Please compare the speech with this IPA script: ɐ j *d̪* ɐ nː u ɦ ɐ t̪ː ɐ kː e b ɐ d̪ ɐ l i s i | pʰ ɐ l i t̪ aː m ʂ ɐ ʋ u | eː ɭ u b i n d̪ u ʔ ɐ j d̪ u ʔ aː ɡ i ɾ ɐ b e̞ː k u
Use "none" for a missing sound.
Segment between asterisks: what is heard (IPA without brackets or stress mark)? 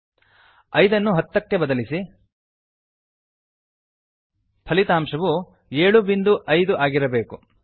d̪